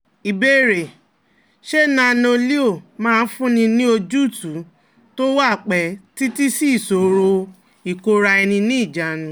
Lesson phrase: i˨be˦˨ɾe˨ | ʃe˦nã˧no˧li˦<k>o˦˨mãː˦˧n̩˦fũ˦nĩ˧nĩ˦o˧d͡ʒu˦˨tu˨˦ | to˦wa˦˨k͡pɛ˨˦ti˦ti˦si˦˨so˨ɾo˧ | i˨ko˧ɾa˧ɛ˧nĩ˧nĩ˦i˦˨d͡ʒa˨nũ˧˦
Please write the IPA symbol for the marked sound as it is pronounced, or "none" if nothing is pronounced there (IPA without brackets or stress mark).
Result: none